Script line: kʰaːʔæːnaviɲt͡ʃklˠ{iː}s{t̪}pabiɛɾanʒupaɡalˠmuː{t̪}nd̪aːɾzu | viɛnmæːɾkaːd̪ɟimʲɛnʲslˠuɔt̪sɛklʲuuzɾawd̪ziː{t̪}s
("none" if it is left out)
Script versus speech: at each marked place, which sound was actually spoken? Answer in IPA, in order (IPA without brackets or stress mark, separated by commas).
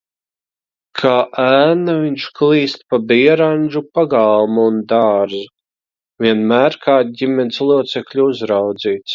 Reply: iː, t̪, none, t̪